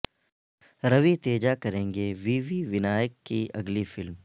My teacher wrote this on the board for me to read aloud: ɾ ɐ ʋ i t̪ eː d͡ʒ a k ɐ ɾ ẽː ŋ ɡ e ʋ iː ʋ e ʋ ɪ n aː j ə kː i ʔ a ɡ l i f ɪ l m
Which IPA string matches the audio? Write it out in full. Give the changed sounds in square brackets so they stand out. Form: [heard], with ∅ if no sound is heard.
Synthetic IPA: ɾ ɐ ʋ i t̪ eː d͡ʒ a k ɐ ɾ ẽː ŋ ɡ e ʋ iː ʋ [i] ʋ ɪ n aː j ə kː i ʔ [ɐ] ɡ l i f ɪ l m

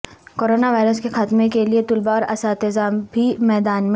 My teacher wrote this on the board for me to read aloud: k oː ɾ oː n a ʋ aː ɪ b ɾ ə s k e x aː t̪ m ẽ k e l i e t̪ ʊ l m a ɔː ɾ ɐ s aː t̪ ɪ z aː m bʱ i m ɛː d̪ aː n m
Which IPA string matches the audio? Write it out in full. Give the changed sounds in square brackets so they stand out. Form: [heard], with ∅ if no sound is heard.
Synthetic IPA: k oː ɾ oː n a ʋ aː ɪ [∅] ɾ ə s k e x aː t̪ m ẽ k e l i e t̪ ʊ l [b] a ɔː ɾ ɐ s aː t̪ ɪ z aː m bʱ i m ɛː d̪ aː n m

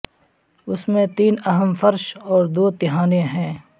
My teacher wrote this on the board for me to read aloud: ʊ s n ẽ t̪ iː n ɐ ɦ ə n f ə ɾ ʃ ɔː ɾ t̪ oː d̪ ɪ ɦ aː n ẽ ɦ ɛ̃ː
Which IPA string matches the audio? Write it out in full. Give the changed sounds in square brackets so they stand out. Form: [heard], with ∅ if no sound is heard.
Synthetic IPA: ʊ s [m] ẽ t̪ iː n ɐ ɦ ə [m] f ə ɾ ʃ ɔː ɾ [d̪] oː [t̪] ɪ ɦ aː n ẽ ɦ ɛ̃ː

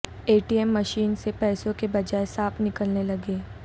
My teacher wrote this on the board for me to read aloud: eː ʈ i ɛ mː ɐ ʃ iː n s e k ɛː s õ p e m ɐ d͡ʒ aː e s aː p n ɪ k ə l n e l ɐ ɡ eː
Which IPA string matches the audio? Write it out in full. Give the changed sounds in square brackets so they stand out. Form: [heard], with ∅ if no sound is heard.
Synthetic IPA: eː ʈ i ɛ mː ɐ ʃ iː n s e [p] ɛː s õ [k] e [b] ɐ d͡ʒ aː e s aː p n ɪ k ə l n e l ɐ ɡ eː

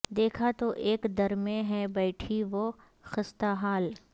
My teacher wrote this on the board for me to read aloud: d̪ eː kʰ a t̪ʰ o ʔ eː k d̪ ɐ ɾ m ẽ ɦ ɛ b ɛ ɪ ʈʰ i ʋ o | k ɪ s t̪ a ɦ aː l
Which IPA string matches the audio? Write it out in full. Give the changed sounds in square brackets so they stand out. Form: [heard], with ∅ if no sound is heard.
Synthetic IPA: d̪ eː kʰ a [t̪] o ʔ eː k d̪ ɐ ɾ m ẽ ɦ ɛ b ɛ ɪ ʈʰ i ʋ o | [x] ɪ s t̪ a ɦ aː l

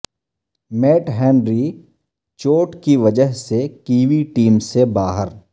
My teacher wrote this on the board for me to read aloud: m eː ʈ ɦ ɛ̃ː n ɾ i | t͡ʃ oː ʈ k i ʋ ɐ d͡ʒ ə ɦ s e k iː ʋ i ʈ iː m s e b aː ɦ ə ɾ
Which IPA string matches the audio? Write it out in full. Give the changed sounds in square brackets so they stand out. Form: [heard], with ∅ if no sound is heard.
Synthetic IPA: m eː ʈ ɦ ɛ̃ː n ɾ i | t͡ʃ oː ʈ k i ʋ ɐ d͡ʒ ə ɦ s e k iː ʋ i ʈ iː m s e b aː ɦ ə ɾ

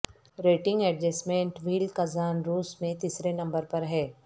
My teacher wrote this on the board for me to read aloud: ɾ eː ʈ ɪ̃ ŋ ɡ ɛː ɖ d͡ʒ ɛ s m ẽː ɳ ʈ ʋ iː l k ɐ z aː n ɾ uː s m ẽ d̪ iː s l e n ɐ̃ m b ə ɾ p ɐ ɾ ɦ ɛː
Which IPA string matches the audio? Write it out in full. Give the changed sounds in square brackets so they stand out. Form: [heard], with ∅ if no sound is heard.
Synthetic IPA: ɾ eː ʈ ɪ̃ ŋ ɡ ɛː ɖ d͡ʒ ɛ s m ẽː ɳ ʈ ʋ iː l k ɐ z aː n ɾ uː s m ẽ [t̪] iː s [ɾ] e n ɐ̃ m b ə ɾ p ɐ ɾ ɦ ɛː

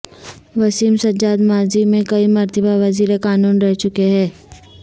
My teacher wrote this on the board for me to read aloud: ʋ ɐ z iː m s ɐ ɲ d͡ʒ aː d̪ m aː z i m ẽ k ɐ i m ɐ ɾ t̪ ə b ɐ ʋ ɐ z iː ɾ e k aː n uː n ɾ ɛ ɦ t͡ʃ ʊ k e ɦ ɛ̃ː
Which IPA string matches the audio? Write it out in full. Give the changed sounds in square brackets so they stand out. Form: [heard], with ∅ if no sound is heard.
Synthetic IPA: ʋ ɐ [s] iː m s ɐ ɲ d͡ʒ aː d̪ m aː z i m ẽ k ɐ i m ɐ ɾ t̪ ə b [a] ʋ ɐ z iː ɾ e k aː n uː n ɾ ɛ ɦ t͡ʃ ʊ k e ɦ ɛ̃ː

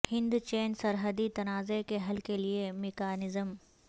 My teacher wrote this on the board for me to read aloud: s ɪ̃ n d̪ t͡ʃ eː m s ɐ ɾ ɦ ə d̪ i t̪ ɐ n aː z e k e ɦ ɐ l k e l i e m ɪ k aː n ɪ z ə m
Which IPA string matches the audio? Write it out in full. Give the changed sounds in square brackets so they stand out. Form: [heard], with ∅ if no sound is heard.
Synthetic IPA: [h] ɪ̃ n d̪ t͡ʃ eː [n] s ɐ ɾ ɦ ə d̪ i t̪ ɐ n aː z e k e ɦ ɐ l k e l i e m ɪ k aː n ɪ z ə m

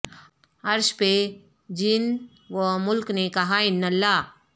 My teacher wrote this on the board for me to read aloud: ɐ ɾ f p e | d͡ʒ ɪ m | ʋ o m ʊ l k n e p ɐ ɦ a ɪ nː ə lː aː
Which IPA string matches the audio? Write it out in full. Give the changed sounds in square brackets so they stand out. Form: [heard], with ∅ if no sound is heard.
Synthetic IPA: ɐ ɾ [ʃ] p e | d͡ʒ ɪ [n] | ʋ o m ʊ l k n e [k] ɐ ɦ a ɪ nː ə lː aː

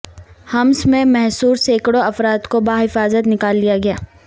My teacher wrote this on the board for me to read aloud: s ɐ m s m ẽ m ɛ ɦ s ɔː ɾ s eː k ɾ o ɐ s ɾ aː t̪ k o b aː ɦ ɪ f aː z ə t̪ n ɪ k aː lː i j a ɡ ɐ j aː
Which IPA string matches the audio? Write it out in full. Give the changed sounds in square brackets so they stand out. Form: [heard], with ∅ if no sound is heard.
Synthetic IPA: [h] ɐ m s m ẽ m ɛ ɦ s [uː] ɾ s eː k [ɽ] o ɐ [f] ɾ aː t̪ k o b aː ɦ ɪ f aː z ə t̪ n ɪ k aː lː i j a ɡ ɐ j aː

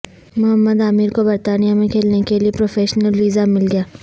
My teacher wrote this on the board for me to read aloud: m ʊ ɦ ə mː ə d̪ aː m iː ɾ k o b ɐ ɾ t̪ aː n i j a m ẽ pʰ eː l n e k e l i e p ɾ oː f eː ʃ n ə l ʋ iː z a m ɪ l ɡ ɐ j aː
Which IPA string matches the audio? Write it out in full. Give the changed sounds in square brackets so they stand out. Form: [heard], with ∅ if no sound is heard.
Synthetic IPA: m ʊ ɦ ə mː ə d̪ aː m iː ɾ k o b ɐ ɾ t̪ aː n i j a m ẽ [kʰ] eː l n e k e l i e p ɾ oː f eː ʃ n ə l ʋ iː z a m ɪ l ɡ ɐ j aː

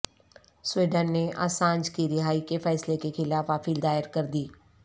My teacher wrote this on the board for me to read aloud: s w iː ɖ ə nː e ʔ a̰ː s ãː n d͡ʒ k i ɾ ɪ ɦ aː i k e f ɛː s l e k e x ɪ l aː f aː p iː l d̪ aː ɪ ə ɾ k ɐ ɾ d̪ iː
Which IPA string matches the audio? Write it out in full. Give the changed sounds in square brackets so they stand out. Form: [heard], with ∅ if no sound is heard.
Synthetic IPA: s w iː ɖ ə nː e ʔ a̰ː s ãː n d͡ʒ k i ɾ ɪ ɦ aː i k e f ɛː s l e k e x ɪ l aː f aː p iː l d̪ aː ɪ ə ɾ k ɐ ɾ d̪ iː

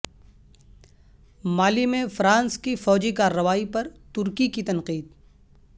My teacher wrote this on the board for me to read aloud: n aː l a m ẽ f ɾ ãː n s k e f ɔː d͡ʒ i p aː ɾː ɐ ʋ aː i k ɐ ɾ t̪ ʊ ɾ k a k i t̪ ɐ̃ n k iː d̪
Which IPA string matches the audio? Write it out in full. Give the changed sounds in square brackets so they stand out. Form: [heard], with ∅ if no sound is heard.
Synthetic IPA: [m] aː l [i] m ẽ f ɾ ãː n s k [i] f ɔː d͡ʒ i [k] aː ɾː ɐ ʋ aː i [p] ɐ ɾ t̪ ʊ ɾ k [i] k i t̪ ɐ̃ n [q] iː d̪

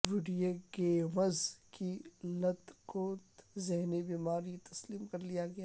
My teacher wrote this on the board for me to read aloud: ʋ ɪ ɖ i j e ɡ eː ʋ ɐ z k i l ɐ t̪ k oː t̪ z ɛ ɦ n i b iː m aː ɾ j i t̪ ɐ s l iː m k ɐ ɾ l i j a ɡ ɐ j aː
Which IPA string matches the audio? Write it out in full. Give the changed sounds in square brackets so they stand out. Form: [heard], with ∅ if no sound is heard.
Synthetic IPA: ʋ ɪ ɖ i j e ɡ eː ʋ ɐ z k i l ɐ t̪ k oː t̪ z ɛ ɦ n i b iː m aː ɾ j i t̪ ɐ s l iː m k ɐ ɾ l i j a ɡ ɐ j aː

